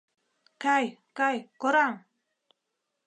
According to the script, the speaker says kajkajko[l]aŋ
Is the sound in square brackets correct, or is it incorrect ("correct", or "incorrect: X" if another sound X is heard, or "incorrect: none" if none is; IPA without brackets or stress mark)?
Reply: incorrect: ɾ